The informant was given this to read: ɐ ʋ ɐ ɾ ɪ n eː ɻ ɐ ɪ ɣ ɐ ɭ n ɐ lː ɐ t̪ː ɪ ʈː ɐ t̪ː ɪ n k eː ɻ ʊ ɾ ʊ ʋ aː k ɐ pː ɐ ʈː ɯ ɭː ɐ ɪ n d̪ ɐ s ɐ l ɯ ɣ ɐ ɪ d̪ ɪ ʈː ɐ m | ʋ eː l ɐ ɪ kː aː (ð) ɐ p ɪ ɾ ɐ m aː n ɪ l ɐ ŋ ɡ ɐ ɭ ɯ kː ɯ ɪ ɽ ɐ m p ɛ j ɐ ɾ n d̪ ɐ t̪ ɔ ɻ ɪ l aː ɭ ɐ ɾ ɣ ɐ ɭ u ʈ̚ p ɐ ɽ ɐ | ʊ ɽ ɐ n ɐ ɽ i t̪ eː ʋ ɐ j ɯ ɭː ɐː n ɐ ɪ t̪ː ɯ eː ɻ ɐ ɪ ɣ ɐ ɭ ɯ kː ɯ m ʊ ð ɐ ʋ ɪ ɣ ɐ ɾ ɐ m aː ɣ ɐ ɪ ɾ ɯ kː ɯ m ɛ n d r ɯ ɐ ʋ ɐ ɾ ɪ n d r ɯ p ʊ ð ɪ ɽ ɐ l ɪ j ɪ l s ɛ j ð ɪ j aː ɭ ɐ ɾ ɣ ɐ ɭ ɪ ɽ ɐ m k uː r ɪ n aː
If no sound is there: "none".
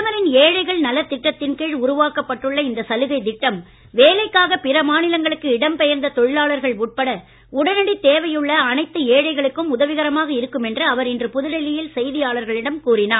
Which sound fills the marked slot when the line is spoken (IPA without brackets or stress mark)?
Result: ɣ